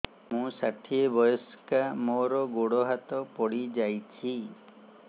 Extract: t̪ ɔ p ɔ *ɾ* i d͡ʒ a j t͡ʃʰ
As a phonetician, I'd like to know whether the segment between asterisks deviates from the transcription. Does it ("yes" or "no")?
yes